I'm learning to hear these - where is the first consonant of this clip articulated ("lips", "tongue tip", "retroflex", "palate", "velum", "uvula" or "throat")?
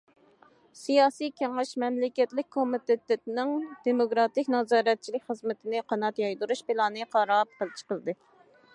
tongue tip